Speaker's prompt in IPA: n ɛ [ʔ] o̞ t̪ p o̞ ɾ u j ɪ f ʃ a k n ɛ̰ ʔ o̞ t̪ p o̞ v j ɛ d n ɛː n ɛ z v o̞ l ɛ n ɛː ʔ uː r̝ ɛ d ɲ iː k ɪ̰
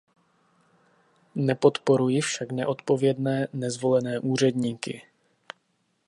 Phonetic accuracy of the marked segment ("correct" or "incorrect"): incorrect